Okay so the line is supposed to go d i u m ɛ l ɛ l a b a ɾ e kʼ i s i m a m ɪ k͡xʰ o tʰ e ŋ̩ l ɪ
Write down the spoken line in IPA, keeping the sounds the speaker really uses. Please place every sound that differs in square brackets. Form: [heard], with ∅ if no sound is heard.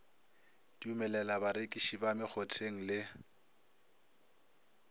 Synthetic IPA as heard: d i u m ɛ l ɛ l a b a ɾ e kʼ i [ʃ] i [b] a m ɪ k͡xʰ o tʰ e ŋ̩ l ɪ